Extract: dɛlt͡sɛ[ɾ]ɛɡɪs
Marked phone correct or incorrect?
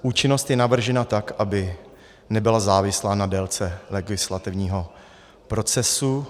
incorrect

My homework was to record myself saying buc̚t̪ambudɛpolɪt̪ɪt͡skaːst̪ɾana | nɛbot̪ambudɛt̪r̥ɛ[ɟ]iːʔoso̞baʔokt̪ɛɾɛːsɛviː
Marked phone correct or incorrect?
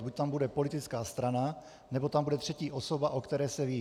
incorrect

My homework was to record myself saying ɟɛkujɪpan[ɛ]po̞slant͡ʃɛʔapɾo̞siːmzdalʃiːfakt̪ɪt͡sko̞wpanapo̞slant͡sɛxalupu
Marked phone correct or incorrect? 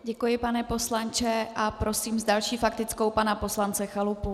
correct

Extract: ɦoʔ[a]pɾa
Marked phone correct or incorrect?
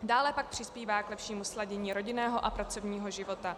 correct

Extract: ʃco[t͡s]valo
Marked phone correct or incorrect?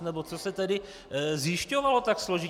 incorrect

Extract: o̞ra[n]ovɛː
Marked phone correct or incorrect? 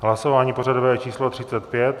incorrect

